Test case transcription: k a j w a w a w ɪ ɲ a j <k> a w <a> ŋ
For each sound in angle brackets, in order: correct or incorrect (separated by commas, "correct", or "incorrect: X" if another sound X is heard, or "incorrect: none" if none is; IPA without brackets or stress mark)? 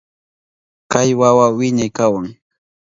correct, correct